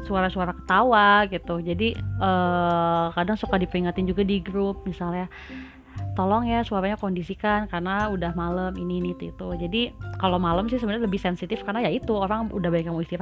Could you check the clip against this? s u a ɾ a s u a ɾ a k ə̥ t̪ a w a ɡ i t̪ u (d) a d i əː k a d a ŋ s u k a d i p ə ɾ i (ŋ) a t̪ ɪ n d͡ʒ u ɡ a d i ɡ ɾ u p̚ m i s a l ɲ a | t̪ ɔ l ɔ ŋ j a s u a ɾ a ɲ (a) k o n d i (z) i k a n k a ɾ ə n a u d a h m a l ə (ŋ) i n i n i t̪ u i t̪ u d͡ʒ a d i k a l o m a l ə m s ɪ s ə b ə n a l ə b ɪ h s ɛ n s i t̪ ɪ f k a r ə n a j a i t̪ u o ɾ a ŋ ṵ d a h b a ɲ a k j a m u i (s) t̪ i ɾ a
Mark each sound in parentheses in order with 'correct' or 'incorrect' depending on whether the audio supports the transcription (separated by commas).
incorrect, correct, correct, incorrect, incorrect, correct